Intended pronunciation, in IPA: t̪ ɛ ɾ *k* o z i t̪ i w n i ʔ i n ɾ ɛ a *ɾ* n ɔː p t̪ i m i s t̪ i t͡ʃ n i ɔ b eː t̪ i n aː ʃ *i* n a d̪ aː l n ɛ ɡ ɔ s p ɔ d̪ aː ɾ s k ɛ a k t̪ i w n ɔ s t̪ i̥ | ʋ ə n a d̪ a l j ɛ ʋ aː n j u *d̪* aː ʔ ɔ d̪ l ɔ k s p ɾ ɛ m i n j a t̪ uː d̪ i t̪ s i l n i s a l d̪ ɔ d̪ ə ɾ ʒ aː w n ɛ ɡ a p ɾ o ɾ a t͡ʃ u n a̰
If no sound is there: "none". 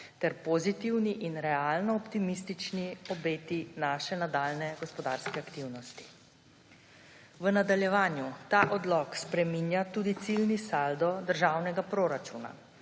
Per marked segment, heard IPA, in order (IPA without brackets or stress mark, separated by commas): p, l, ɛ, t̪